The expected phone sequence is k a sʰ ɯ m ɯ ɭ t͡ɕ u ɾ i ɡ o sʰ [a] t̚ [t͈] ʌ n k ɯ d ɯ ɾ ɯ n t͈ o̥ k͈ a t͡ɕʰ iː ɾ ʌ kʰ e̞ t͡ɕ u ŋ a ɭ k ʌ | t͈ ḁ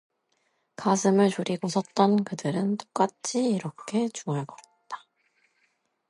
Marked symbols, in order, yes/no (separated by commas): no, yes